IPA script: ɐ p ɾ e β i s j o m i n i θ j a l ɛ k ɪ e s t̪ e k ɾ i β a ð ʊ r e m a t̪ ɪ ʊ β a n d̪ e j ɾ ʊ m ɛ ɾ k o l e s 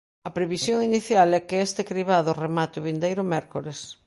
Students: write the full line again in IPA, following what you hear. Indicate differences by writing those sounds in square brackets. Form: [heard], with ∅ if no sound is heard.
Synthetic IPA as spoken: ɐ p ɾ e β i s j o [ŋ] i n i θ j a l ɛ k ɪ e s t̪ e k ɾ i β a ð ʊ r e m a t̪ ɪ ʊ β [i] n d̪ e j ɾ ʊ m ɛ ɾ k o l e s